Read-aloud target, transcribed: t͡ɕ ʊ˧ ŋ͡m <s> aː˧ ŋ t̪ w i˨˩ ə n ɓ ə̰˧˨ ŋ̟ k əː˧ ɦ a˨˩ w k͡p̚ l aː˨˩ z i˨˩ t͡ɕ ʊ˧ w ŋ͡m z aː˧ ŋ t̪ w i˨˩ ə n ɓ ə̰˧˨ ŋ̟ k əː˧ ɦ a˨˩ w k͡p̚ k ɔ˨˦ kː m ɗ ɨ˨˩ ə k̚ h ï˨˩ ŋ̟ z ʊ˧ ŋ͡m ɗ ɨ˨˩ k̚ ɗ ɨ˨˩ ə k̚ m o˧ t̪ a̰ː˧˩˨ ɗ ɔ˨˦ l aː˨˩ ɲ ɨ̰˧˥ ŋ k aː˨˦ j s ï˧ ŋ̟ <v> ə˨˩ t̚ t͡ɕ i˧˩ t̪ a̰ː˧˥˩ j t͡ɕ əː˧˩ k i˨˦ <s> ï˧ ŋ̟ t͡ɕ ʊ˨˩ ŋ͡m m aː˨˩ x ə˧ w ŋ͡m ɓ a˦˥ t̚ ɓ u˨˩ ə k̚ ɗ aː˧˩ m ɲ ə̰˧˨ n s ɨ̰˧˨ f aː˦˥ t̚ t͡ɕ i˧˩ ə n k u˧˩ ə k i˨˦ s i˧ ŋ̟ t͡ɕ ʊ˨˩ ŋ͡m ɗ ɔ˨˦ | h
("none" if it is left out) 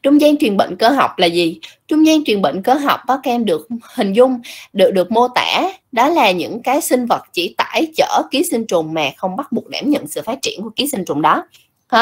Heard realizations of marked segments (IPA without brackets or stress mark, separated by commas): z, v, s